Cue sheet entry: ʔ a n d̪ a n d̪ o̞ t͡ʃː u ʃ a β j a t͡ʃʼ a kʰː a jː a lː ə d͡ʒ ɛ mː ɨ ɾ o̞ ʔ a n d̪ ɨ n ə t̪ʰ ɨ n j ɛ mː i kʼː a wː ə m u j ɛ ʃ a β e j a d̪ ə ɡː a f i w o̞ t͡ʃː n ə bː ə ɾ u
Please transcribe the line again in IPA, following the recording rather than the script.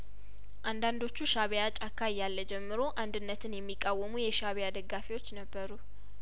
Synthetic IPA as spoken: ʔ a n d̪ a n d̪ o̞ t͡ʃː u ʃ a β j a t͡ʃʼ a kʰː a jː a lː ə d͡ʒ ɛ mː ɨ ɾ o̞ ʔ a n d̪ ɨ nː ə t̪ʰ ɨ n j ɛ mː i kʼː a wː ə m u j ɛ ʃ a β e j a d̪ ə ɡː a f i w o̞ t͡ʃː n ə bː ə ɾ u

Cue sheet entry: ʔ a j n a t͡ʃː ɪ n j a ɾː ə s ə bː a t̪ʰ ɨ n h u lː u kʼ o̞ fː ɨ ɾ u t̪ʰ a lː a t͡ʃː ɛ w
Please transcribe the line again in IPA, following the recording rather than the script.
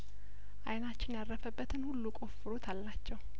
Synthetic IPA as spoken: ʔ a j n a t͡ʃː ɪ n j a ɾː ə f ə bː ə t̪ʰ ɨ n h u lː u kʼ o̞ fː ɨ ɾ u t̪ʰ a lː a t͡ʃː ɛ w

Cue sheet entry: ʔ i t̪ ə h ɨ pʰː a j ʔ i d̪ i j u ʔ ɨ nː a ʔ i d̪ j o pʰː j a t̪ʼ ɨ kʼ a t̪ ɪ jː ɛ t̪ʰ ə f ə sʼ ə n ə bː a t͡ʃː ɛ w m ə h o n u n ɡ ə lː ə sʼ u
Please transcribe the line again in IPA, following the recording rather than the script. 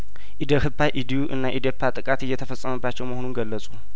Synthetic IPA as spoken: ʔ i d̪ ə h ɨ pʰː a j ʔ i d̪ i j u ʔ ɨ nː a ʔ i d̪ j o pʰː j a t̪ʼ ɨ kʼ a t̪ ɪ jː ɛ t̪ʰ ə f ə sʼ ə m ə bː a t͡ʃː ɛ w m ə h o n u n ɡ ə lː ə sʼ u

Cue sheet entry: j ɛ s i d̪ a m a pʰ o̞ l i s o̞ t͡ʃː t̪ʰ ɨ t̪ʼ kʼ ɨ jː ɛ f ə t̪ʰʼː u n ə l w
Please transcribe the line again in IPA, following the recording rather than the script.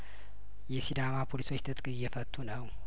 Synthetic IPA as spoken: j ɛ s i d̪ a m a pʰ o̞ l i s o̞ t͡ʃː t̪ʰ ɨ t̪ʼ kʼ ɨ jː ɛ f ə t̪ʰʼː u n ə w

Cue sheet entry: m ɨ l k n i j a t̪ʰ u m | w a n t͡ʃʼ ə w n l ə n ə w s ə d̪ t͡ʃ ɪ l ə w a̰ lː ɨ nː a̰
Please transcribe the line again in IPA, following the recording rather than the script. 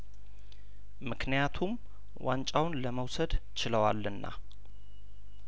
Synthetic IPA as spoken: m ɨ k n i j a t̪ʰ u m | w a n t͡ʃʼ a w n l ə m ə w s ə d̪ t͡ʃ ɪ l ə w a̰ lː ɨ nː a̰

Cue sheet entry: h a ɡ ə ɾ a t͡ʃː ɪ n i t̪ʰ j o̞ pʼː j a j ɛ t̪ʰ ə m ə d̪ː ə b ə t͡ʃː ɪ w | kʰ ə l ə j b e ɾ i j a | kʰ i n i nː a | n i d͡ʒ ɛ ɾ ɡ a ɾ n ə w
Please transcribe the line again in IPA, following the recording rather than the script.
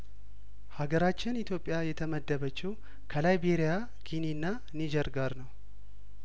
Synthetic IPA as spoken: h a ɡ ə ɾ a t͡ʃː ɪ n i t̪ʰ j o̞ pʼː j a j ɛ t̪ʰ ə m ə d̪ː ə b ə t͡ʃː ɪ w | kʰ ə l a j b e ɾ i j a | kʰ i n i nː a | n i d͡ʒ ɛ ɾ ɡ a ɾ n ə w

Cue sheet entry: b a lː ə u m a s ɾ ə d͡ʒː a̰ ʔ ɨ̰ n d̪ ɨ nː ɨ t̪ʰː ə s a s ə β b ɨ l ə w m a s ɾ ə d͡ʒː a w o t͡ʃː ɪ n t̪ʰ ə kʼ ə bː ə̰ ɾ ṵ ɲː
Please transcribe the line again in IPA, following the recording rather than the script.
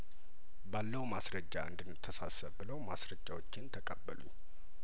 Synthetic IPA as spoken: b a lː ə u m a s ɾ ə d͡ʒː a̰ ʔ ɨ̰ n d̪ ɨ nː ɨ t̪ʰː ə s a s ə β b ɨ l ə w m a s ɾ ə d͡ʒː a w o t͡ʃː ɪ n t̪ʰ ə kʼ ə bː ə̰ l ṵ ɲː

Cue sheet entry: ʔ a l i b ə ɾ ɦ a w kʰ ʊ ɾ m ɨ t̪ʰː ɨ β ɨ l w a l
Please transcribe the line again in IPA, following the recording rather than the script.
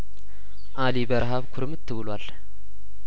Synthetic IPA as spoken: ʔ a l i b ə ɾ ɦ a β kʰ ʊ ɾ m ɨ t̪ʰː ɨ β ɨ l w a l

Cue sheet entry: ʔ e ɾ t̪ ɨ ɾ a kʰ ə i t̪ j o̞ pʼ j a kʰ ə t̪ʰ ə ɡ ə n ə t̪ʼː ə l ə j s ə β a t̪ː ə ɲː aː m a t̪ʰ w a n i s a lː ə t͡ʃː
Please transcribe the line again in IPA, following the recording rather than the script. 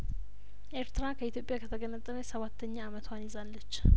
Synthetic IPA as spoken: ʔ e ɾ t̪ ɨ ɾ a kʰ ə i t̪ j o̞ pʼ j a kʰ ə t̪ʰ ə ɡ ə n ə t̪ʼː ə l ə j s ə β a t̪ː ə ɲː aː m ə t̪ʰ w a n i z a lː ə t͡ʃː

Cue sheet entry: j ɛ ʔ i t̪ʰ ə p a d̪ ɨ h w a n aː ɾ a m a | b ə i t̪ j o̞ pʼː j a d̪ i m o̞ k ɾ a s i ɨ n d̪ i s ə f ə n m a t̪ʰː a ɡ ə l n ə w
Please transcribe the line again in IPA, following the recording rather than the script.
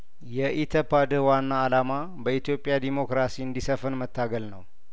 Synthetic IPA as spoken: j ɛ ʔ i t̪ʰ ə p a d̪ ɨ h w a nː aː l a m a | b ə i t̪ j o̞ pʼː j a d̪ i m o̞ k ɾ a s i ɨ n d̪ i s ə f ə n m ə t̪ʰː a ɡ ə l n ə w

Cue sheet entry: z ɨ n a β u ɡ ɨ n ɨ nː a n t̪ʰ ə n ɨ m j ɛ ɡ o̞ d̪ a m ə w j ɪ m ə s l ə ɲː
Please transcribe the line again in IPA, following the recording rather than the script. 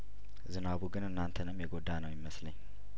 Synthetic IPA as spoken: z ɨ n a β u ɡ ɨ n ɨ nː a n t̪ʰ ə n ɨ m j ɛ ɡ o̞ d̪ a n ə w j ɪ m ə s l ə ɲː

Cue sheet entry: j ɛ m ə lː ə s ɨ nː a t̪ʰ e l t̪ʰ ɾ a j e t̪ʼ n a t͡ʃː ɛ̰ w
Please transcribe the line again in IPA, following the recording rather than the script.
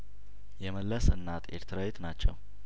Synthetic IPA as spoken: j ɛ m ə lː ə s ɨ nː a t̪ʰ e ɾ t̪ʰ ɾ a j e t̪ n a t͡ʃː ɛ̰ w

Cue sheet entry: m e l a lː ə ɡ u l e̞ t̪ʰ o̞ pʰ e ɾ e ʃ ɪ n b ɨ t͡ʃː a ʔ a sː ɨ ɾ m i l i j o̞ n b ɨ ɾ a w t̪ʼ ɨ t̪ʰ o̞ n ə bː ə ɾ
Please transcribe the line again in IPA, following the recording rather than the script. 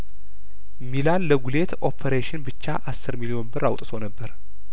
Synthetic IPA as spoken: m i l a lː ə ɡ u l e̞ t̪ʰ o̞ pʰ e ɾ e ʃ ɪ n b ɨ t͡ʃː a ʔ a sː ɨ ɾ m i l i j o̞ n b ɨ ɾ a w t̪ʼ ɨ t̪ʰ o̞ n ə bː ə ɾ

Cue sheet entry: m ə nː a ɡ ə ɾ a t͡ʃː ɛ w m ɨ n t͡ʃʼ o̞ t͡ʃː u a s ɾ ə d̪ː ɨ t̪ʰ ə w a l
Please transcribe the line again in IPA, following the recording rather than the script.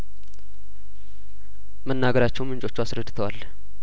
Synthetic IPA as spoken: m ə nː a ɡ ə ɾ a t͡ʃː ɛ w m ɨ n t͡ʃʼ o̞ t͡ʃː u a s ɾ ə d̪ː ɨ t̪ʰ ə w a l

